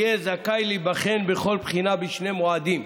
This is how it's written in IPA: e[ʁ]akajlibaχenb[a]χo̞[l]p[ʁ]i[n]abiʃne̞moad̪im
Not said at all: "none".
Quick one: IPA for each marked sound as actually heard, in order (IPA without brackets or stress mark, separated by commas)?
z, e, l, χ, n